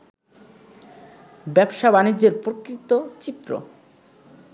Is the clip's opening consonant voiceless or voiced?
voiced